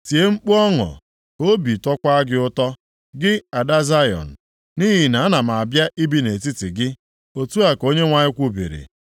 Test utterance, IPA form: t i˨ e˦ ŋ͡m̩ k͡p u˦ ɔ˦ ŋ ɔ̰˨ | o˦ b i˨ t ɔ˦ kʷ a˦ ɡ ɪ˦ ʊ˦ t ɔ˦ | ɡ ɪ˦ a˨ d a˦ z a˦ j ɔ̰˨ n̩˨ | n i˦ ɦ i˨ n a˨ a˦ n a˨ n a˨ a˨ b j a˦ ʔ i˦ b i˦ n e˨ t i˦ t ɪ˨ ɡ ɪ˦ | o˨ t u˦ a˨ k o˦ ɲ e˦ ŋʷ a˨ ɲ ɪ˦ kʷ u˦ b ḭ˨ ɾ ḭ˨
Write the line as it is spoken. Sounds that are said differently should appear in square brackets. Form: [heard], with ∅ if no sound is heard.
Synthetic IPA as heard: t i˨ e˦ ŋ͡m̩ k͡p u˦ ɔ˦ ŋ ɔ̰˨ | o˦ b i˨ t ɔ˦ kʷ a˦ ɡ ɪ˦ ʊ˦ t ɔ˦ | ɡ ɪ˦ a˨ d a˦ z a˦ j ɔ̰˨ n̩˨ | n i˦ ɦ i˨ n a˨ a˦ n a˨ [m] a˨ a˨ b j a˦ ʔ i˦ b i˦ n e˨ t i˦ t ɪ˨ ɡ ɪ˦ | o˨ t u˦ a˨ k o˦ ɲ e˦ ŋʷ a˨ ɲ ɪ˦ kʷ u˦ b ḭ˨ ɾ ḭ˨

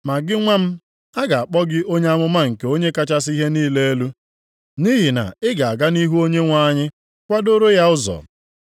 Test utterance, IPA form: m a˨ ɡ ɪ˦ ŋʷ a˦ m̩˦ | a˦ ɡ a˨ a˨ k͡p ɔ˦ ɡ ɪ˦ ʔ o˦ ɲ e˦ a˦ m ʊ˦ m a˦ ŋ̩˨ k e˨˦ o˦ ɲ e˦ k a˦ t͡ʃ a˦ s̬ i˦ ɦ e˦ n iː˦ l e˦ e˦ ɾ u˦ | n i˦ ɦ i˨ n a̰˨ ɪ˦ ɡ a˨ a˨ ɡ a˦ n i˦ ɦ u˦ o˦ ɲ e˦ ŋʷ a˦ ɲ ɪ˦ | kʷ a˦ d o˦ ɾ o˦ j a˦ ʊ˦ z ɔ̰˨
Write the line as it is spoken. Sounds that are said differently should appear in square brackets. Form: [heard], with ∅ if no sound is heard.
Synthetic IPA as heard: m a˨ ɡ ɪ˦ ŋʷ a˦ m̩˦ | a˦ ɡ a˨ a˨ k͡p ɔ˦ ɡ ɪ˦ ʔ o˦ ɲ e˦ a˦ m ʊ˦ m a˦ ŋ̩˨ k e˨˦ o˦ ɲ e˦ k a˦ t͡ʃ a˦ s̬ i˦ ɦ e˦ n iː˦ l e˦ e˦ [l] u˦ | n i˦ ɦ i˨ n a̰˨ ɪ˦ ɡ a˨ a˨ ɡ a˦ n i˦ ɦ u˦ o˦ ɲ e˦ ŋʷ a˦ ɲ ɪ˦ | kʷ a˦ d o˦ ɾ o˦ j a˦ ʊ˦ z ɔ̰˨

